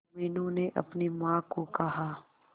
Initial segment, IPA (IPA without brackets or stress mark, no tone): m